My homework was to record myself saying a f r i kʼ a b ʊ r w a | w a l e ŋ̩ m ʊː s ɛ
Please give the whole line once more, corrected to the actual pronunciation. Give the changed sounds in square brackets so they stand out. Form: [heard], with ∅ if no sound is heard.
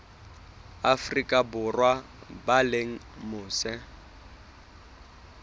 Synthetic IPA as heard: a f r i kʼ a b ʊ r w a | [b] a l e ŋ̩ m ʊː s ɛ